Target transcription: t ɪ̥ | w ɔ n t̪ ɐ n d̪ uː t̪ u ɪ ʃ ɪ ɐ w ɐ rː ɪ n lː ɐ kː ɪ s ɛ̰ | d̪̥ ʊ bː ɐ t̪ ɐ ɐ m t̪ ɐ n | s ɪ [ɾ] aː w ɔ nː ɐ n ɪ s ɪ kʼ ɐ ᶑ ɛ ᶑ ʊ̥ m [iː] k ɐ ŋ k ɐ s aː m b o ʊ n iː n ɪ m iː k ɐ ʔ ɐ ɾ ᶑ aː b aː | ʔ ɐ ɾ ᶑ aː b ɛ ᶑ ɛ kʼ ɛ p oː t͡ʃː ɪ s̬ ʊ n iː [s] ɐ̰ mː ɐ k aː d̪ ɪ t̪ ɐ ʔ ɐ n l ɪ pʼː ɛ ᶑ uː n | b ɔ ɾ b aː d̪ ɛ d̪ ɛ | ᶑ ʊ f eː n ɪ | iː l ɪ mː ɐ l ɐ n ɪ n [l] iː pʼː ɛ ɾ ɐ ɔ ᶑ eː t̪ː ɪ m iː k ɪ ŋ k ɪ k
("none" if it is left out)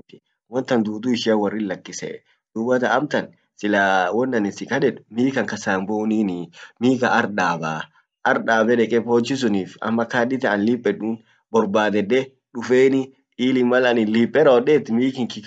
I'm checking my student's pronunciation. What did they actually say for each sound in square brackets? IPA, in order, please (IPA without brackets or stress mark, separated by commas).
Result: l, iː, f, l